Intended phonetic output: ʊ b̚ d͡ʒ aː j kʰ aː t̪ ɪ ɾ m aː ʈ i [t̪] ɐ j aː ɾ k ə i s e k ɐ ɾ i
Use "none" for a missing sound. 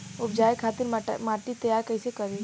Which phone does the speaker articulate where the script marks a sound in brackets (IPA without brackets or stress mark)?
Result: t̪